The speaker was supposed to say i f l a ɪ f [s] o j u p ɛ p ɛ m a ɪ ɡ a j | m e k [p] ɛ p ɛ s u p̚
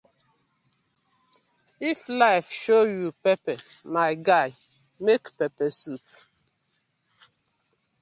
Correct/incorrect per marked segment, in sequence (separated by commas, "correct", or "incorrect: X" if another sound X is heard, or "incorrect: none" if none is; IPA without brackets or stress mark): incorrect: ʃ, correct